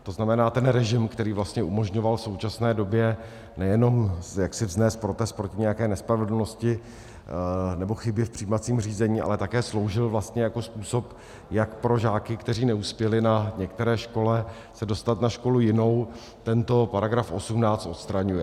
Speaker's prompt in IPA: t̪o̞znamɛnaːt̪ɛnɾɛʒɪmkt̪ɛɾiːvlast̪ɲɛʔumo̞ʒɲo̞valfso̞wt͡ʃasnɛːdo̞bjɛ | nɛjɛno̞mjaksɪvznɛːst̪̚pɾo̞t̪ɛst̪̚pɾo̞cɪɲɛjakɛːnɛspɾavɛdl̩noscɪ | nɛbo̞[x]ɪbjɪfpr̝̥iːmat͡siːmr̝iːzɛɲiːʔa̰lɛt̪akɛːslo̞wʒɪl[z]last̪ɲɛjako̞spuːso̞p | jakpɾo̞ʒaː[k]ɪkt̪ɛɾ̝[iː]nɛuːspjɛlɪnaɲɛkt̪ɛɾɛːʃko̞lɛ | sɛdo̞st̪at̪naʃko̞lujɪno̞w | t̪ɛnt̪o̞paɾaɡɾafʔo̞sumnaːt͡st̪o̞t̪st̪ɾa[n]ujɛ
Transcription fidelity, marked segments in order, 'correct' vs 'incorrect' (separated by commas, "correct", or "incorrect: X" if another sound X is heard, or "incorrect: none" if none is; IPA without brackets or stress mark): correct, incorrect: v, correct, correct, incorrect: ɲ